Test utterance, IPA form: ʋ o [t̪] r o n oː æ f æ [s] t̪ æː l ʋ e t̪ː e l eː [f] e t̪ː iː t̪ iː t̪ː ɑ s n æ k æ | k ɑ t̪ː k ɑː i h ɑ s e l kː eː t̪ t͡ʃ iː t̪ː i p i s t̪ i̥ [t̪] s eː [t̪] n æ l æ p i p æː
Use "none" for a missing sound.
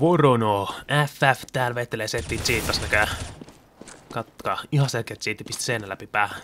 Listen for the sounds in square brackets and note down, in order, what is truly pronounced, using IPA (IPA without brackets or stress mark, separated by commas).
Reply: none, f, s, none, none